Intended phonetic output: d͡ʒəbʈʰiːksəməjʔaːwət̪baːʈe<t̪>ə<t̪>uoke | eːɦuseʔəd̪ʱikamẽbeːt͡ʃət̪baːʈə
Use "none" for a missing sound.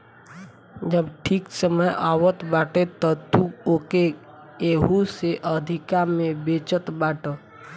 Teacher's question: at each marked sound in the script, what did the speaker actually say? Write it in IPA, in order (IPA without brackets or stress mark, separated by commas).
t̪, t̪